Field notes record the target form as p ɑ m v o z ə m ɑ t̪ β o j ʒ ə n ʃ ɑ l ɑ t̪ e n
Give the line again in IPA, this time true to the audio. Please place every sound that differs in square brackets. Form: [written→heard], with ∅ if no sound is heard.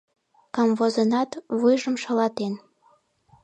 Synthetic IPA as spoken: [p→k] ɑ m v o z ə [m→n] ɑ t̪ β [o→u] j ʒ ə [n→m] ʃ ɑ l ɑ t̪ e n